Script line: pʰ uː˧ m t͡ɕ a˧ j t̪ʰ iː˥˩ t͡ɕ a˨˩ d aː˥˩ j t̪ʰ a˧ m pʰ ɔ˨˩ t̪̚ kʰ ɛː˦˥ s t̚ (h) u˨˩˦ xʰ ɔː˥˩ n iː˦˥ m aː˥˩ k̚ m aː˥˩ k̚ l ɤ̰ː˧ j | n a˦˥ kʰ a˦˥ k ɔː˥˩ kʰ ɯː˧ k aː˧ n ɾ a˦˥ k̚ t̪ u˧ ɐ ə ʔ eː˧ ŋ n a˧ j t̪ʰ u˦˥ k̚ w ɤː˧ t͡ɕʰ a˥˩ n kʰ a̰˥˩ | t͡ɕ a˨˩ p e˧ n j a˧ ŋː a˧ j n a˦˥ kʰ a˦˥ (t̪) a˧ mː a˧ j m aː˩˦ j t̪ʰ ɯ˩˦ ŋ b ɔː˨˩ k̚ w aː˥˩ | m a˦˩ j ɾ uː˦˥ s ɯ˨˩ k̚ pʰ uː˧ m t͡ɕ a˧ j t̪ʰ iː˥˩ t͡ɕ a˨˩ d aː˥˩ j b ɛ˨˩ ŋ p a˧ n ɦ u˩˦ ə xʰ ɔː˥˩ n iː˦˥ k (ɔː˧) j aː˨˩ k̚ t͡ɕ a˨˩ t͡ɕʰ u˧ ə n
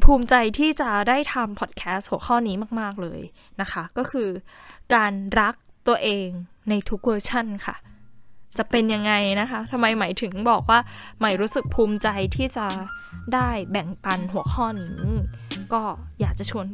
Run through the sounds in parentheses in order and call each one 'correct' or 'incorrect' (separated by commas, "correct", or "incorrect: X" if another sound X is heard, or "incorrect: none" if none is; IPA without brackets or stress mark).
correct, incorrect: t̪ʰ, incorrect: ɔː˥˩